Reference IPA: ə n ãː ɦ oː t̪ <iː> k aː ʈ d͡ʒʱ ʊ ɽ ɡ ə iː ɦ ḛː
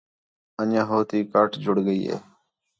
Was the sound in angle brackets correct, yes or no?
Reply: yes